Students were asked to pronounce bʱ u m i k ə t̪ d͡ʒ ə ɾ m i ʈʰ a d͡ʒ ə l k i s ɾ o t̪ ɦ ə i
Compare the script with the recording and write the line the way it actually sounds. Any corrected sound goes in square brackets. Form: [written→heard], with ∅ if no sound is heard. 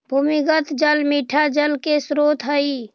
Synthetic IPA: bʱ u m i [k→ɡ] ə t̪ d͡ʒ ə [ɾ→l] m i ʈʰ a d͡ʒ ə l k [i→e] s ɾ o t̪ ɦ ə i